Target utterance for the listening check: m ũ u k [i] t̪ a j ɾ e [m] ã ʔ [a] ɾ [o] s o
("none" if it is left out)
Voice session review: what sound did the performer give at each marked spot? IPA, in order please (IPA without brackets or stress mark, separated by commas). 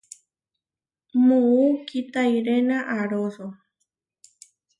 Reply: i, n, a, o